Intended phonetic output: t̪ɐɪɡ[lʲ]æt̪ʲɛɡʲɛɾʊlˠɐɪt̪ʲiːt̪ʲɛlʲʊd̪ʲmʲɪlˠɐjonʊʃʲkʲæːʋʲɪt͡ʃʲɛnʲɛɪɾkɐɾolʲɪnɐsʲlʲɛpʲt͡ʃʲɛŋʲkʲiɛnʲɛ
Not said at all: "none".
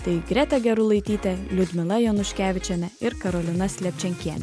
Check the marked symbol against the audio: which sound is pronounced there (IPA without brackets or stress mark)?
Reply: ɾʲ